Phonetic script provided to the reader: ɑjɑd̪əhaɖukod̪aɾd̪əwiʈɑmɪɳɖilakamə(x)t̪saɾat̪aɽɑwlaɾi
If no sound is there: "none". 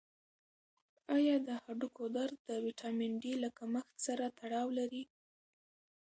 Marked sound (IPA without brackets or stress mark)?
x